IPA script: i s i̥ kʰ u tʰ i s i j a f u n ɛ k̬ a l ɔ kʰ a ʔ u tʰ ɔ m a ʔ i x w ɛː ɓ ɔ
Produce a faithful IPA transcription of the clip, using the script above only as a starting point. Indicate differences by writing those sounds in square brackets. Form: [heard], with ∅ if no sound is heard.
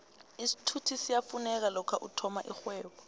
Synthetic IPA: i s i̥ [tʰ] u tʰ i s i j a f u n ɛ k̬ a l ɔ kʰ a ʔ u tʰ ɔ m a ʔ i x w ɛː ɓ ɔ